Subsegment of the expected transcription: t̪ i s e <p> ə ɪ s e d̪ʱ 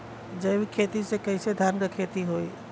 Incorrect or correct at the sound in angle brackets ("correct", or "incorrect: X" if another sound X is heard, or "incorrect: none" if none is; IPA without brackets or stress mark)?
incorrect: k